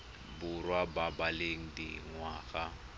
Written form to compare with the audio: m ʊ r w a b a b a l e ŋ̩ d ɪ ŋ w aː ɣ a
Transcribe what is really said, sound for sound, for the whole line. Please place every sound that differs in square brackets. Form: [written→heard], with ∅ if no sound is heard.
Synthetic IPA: [m→b] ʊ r w a b a b a l e ŋ̩ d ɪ ŋ w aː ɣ a

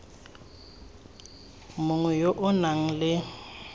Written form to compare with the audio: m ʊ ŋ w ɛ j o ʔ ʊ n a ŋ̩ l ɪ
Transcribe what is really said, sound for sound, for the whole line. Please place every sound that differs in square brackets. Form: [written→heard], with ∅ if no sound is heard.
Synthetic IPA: m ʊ ŋ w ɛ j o ʔ ʊ n a ŋ̩ l ɪ

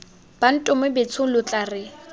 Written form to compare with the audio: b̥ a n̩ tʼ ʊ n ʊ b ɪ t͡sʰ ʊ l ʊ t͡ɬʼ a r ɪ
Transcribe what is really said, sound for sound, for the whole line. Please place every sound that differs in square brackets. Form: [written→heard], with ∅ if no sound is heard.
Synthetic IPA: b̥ a n̩ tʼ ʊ [n→m] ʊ b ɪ t͡sʰ ʊ l ʊ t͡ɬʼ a r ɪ

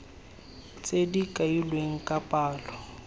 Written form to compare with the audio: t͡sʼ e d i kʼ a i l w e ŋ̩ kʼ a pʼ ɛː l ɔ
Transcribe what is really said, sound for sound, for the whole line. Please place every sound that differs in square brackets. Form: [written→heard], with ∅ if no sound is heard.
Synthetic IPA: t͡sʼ e d i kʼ a i l w e ŋ̩ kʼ a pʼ [ɛː→aː] l ɔ

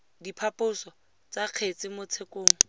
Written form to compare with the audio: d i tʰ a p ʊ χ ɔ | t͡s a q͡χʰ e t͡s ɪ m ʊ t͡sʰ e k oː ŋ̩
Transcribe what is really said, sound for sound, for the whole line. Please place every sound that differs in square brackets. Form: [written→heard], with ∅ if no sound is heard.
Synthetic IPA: d i [tʰ→pʰ] a p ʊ [χ→s] ɔ | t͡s a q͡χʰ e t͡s ɪ m ʊ t͡sʰ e k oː ŋ̩

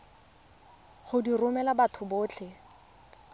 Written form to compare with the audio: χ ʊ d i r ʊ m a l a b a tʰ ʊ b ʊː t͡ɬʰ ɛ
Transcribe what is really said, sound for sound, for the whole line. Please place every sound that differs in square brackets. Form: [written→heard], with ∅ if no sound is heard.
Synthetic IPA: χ ʊ d i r ʊ m [a→ɛ] l a b a tʰ ʊ b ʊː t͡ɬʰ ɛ

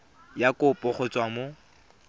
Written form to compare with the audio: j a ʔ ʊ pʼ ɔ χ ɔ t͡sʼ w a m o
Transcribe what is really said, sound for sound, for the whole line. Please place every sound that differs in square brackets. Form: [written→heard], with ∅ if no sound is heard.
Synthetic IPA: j a [ʔ→k] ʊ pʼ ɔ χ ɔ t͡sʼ w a m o

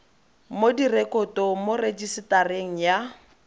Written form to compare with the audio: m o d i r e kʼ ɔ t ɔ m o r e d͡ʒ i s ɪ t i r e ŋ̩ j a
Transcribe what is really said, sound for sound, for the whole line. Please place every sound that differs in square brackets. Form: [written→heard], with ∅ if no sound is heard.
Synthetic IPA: m o d i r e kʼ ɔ t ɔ m o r e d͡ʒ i s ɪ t [i→a] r e ŋ̩ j a

